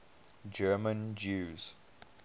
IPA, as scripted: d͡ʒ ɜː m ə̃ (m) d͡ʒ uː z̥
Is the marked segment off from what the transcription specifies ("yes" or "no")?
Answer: yes